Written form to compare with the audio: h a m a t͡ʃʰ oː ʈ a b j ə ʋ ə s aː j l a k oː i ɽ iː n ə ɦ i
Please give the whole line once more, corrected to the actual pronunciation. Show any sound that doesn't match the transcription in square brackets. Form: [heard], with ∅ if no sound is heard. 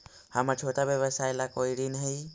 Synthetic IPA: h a m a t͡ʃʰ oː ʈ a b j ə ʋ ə s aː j l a k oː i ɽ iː n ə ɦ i

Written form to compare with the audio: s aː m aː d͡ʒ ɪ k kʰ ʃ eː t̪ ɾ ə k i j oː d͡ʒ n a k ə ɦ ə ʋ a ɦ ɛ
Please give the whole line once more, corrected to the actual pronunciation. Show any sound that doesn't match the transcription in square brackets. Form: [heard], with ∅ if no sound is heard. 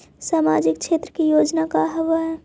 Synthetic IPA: s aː m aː d͡ʒ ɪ k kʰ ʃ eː t̪ ɾ ə k i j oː d͡ʒ n a k [a] ɦ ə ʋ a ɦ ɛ

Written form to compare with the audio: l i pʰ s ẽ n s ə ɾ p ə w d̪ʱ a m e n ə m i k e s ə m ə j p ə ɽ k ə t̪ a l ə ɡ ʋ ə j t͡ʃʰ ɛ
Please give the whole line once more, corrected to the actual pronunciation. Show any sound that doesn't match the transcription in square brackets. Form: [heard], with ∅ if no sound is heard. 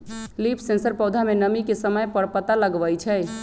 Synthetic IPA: l i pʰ s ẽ n s ə ɾ p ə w d̪ʱ a m e n ə m i k e s ə m ə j p ə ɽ [p] ə t̪ a l ə ɡ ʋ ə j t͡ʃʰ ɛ

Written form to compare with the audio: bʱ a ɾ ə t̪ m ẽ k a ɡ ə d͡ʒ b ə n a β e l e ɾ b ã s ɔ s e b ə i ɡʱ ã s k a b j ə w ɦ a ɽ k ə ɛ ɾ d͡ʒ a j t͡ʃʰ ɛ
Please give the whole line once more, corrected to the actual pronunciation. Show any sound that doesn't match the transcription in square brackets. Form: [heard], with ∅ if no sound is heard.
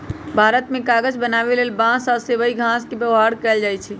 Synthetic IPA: bʱ a ɾ ə t̪ m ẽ k a ɡ ə d͡ʒ b ə n a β e l e [l] b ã s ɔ s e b ə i ɡʱ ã s k [e] b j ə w ɦ a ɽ k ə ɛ [l] d͡ʒ a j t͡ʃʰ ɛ

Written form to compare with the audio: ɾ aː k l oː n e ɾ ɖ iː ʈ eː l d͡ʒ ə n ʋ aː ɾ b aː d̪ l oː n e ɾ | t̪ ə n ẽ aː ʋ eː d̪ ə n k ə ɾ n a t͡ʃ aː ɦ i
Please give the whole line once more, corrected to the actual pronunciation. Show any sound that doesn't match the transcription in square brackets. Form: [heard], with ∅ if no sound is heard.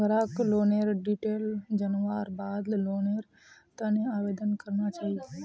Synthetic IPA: ɾ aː k l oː n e ɾ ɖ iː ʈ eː l d͡ʒ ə n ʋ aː ɾ b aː d̪ l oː n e ɾ | t̪ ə n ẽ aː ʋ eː d̪ ə n k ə ɾ n a t͡ʃ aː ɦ i

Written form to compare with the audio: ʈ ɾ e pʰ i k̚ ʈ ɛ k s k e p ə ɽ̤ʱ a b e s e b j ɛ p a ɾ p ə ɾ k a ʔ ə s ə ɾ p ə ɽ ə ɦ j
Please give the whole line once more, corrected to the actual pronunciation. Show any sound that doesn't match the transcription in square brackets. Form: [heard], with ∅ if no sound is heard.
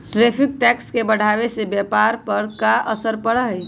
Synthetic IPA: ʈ ɾ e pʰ i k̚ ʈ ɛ k s k e [b] ə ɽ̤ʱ a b e s e b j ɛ p a ɾ p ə ɾ k a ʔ ə s ə ɾ p ə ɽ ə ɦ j

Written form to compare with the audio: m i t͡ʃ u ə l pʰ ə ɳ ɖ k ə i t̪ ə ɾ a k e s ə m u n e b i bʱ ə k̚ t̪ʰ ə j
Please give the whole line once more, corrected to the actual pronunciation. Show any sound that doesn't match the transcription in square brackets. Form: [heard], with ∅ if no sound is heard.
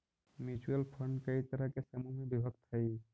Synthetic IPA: m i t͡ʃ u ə l pʰ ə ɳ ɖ k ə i t̪ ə ɾ a k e s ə m u [m] e b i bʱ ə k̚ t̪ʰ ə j

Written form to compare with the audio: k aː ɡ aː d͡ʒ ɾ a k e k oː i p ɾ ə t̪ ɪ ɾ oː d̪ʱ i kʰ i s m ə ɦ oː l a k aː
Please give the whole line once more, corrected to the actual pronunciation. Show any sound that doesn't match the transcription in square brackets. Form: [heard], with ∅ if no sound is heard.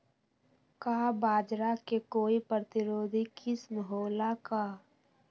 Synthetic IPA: k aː [b] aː d͡ʒ ɾ a k e k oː i p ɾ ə t̪ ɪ ɾ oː d̪ʱ i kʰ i s m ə ɦ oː l a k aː

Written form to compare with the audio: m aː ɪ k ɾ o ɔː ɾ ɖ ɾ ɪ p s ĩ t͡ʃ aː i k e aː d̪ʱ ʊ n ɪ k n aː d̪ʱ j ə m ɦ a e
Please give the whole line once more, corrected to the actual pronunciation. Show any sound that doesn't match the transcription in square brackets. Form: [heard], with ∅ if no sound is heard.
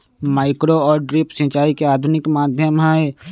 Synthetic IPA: m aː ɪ k ɾ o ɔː ɾ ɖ ɾ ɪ p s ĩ t͡ʃ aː i k e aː d̪ʱ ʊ n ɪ k [m] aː d̪ʱ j ə m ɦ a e

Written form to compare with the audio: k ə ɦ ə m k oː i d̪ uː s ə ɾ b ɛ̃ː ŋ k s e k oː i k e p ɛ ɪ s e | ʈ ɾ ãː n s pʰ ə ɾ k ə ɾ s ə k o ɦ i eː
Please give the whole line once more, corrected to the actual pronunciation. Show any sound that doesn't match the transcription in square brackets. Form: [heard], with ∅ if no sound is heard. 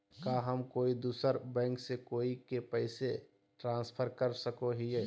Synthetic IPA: k [a] ɦ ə m k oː i d̪ uː s ə ɾ b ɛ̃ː ŋ k s e k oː i k e p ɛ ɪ s e | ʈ ɾ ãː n s pʰ ə ɾ k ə ɾ s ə k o ɦ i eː

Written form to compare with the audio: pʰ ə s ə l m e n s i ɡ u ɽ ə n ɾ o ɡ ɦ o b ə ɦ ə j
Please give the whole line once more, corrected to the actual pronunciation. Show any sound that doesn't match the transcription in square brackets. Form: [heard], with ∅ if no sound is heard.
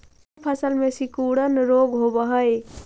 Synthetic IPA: pʰ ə s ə l m e [∅] s i [k] u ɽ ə n ɾ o ɡ ɦ o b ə ɦ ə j

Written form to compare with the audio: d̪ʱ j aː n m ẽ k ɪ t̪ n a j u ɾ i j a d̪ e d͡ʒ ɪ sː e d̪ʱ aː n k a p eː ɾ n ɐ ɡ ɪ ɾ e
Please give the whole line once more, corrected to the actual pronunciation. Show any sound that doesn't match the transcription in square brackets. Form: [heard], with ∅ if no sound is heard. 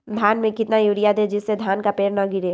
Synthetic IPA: d̪ʱ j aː n m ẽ k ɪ t̪ n a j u ɾ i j a d̪ e d͡ʒ ɪ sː e d̪ʱ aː n k a p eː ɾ n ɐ ɡ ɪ ɾ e

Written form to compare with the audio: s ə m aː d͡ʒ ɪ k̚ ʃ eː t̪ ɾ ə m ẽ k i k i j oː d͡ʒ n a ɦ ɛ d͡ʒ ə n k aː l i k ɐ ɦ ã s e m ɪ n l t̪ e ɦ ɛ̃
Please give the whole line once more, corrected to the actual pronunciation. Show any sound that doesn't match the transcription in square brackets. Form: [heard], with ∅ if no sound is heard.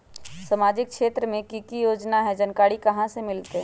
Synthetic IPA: s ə m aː d͡ʒ ɪ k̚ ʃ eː t̪ ɾ ə m ẽ k i k i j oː d͡ʒ n a ɦ ɛ d͡ʒ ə n k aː [ɽ] i k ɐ ɦ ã s e m ɪ [∅] l t̪ e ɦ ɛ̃

